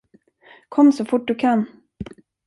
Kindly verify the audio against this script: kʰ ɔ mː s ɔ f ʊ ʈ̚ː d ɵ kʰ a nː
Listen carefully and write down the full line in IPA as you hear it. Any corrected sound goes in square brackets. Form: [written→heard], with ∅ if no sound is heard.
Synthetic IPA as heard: kʰ ɔ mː s ɔ f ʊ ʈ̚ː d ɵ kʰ a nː

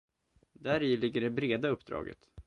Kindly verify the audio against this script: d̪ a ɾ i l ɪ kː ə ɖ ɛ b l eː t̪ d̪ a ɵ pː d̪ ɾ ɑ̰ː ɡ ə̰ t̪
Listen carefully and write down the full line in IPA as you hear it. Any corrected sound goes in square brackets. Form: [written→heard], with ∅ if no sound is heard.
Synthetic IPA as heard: d̪ [a→æ] ɾ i l ɪ [kː→ɡː] ə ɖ ɛ b [l→ɾ] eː [t̪→∅] d̪ a ɵ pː d̪ ɾ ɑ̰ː ɡ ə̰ t̪

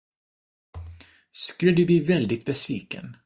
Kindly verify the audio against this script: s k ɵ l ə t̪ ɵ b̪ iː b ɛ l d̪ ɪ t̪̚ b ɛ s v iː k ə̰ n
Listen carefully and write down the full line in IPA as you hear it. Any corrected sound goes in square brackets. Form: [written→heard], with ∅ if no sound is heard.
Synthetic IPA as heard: s k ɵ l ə [t̪→d̪] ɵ b̪ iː [b→v] ɛ l d̪ ɪ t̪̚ b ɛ s v iː k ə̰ n

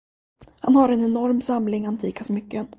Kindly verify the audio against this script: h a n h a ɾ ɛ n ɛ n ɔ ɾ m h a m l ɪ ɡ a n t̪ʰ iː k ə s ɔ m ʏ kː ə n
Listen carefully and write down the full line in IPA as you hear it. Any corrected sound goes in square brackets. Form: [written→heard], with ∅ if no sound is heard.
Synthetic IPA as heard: h a n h a ɾ ɛ n ɛ n ɔ ɾ m [h→s] a m l ɪ [ɡ→ŋ] a n t̪ʰ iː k [ə→a] s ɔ m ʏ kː ə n

